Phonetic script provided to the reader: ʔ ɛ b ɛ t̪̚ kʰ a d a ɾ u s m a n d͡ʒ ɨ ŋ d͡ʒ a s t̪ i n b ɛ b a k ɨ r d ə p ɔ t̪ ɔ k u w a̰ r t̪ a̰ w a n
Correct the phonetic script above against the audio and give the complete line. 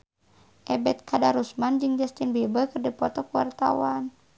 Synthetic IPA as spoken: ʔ ɛ b ɛ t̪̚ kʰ a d a ɾ u s m a n d͡ʒ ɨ ŋ d͡ʒ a s t̪ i n b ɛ b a k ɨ r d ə p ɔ t̪ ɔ k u w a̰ r t̪ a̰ w a n